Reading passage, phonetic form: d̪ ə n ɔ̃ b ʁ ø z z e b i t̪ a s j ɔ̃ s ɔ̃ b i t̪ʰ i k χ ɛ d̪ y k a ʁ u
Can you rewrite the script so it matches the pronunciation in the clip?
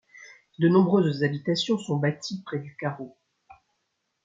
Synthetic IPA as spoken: d̪ ə n ɔ̃ b ʁ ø z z a b i t̪ a s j ɔ̃ s ɔ̃ b a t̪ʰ i p χ ɛ d̪ y k a ʁ o